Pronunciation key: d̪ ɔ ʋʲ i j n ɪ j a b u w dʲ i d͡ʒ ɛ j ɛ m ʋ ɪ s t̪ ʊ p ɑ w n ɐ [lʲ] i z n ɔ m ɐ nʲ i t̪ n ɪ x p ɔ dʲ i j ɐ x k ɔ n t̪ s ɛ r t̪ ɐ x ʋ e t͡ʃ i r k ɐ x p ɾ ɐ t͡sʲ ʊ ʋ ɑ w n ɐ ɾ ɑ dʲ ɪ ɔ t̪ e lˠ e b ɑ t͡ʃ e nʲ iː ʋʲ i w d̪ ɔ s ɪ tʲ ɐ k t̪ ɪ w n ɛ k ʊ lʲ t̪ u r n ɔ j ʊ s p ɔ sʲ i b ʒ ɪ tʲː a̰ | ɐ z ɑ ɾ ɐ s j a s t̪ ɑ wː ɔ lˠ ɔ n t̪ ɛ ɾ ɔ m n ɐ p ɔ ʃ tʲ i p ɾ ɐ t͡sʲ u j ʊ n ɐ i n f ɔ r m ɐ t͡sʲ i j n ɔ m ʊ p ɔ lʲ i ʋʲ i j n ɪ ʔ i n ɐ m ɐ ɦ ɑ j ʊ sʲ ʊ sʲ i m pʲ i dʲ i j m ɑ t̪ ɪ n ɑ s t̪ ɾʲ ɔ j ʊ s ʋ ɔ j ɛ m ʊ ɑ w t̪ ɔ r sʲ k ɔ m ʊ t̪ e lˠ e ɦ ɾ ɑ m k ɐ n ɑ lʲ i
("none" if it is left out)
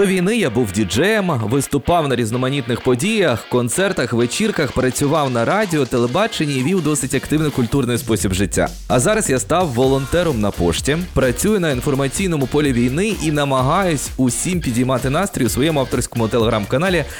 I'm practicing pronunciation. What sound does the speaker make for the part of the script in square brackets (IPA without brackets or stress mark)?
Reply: ɾʲ